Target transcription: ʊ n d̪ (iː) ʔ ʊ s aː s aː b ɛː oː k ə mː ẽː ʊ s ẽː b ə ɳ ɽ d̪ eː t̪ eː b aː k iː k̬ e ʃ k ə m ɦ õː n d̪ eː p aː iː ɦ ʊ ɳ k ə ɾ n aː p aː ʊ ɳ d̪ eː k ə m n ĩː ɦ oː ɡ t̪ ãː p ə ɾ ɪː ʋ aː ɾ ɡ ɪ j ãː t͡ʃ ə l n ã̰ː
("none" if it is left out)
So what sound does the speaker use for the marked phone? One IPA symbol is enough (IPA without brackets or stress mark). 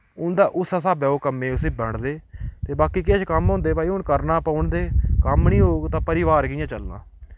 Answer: aː